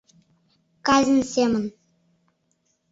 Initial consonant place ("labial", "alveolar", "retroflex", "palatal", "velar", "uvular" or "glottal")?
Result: velar